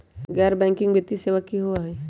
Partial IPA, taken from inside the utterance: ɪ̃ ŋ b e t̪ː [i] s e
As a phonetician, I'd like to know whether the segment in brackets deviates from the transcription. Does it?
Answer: no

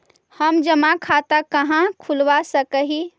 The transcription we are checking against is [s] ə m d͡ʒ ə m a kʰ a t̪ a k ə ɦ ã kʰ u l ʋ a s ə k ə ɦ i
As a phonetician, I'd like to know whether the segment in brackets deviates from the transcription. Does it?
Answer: yes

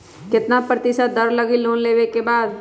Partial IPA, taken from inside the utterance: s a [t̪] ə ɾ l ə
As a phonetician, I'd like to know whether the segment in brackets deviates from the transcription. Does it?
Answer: yes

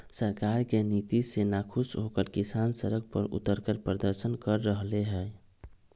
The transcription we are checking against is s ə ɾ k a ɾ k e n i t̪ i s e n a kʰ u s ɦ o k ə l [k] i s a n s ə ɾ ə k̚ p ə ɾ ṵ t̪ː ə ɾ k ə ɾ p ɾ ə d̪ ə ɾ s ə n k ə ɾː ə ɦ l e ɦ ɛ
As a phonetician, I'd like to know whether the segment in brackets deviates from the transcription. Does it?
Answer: no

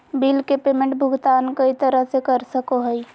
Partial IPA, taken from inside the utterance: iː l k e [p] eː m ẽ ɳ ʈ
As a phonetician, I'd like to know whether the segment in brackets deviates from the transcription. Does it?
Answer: no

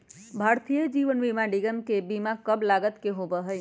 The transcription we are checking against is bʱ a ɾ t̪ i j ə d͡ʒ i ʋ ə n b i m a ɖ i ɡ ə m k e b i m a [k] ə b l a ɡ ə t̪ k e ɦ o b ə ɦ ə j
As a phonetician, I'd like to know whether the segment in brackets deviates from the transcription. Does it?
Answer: no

